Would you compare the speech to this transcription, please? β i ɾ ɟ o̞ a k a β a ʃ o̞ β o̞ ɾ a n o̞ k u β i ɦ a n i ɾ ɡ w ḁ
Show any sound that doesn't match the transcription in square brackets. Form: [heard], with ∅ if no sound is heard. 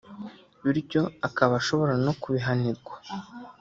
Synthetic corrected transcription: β i ɾ ɟ o̞ a k a β a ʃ o̞ β o̞ ɾ a n o̞ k u β i ɦ a n i ɾ ɡ w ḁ